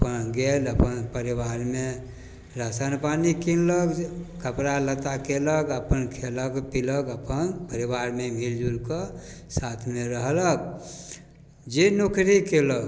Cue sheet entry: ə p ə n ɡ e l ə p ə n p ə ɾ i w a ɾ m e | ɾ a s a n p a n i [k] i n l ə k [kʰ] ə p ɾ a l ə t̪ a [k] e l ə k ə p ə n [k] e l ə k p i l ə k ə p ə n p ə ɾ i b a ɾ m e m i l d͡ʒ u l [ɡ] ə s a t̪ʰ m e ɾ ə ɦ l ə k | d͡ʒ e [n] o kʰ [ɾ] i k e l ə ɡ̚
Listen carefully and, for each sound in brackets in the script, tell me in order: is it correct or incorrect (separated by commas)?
correct, incorrect, correct, incorrect, incorrect, correct, correct